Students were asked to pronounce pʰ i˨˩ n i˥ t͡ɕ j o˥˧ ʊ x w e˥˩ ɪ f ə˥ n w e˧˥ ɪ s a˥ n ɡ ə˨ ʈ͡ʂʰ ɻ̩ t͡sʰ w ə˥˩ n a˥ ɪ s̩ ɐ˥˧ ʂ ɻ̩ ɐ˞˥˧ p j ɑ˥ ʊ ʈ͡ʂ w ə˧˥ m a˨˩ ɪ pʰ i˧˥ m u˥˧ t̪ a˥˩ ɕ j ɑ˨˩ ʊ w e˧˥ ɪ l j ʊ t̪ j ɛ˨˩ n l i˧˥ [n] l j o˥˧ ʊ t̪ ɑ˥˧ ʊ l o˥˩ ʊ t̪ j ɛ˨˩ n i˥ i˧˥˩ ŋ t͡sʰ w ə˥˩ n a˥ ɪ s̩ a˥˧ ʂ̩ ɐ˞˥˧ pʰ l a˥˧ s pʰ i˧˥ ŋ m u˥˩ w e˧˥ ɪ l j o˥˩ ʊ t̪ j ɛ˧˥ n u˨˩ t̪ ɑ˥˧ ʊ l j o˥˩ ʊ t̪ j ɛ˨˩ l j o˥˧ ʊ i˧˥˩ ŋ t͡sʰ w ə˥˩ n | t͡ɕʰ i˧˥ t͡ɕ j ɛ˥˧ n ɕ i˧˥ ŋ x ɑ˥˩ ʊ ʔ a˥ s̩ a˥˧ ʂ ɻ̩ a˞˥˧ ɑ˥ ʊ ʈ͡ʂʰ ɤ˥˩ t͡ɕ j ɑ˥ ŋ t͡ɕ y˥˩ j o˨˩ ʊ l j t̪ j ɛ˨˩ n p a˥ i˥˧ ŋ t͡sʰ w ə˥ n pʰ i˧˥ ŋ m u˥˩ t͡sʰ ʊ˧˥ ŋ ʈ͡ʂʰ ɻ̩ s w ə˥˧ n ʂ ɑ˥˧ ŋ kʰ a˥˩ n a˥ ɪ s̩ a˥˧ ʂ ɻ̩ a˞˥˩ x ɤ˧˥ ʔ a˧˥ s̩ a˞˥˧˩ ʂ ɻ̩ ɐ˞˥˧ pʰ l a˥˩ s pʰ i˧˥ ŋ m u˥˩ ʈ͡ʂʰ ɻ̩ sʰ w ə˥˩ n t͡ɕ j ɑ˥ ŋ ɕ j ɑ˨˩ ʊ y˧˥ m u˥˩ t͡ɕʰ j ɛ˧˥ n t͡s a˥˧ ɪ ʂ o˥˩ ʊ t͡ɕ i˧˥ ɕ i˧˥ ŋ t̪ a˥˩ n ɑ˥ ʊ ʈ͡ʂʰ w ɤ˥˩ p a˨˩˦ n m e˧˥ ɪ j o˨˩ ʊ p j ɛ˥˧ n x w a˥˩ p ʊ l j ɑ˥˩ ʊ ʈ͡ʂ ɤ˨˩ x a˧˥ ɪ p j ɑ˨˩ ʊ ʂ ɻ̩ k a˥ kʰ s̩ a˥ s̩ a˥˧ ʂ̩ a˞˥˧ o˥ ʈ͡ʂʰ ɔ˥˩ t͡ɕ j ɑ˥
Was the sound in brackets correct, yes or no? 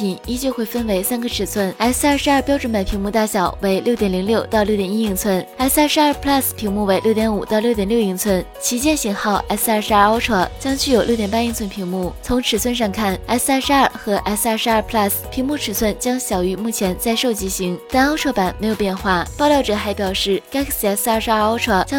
no